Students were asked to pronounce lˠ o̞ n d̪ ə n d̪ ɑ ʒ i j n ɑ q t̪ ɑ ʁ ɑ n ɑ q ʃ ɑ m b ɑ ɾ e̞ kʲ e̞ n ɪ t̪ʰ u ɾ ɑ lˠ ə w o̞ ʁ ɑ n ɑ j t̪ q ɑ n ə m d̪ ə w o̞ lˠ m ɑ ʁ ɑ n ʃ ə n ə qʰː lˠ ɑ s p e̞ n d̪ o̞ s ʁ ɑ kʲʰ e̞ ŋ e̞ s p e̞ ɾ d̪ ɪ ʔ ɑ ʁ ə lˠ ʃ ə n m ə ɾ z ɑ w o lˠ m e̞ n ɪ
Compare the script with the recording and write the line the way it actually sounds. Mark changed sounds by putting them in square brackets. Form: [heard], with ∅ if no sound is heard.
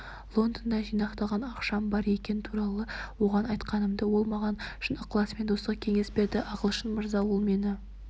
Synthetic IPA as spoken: lˠ o̞ n d̪ ə n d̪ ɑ ʒ i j n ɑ q t̪ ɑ ʁ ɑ n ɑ q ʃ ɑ m b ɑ ɾ e̞ kʲ e̞ n ɪ t̪ʰ u ɾ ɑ lˠ ə w o̞ ʁ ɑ n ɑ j t̪ q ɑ n ə m d̪ ə w o̞ lˠ m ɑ ʁ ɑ n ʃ ə n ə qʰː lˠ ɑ s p e̞ n d̪ o̞ s ʁ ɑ kʲʰ e̞ ŋ e̞ s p e̞ ɾ d̪ ɪ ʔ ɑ ʁ ə lˠ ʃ ə n m ə ɾ z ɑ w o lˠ m e̞ n ɪ

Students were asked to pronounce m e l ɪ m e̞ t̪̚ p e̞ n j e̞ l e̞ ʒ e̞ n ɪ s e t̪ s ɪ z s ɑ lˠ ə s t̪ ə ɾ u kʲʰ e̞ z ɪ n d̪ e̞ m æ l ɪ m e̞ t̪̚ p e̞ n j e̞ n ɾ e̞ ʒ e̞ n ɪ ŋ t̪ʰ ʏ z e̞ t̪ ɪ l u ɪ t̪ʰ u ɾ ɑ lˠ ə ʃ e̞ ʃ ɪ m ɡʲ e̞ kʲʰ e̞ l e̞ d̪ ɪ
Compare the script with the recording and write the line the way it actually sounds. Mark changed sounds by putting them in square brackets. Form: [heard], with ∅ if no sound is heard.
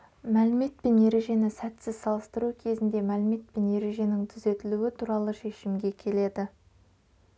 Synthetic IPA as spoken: m [æ] l ɪ m e̞ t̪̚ p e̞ n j e̞ [ɾ] e̞ ʒ e̞ n ɪ s [æ] t̪ s ɪ z s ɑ lˠ ə s t̪ ə ɾ u kʲʰ e̞ z ɪ n d̪ e̞ m æ l ɪ m e̞ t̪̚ p e̞ n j e̞ [∅] ɾ e̞ ʒ e̞ n ɪ ŋ t̪ʰ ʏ z e̞ t̪ ɪ l u ɪ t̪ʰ u ɾ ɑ lˠ ə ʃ e̞ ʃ ɪ m ɡʲ e̞ kʲʰ e̞ l e̞ d̪ ɪ

